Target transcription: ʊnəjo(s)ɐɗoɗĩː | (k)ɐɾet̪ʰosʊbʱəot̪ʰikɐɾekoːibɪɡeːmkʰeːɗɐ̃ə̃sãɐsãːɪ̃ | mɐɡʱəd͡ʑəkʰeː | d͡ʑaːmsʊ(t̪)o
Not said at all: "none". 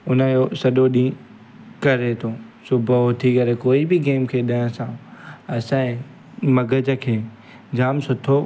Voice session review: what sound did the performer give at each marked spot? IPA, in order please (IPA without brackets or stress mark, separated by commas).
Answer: s, k, t̪ʰ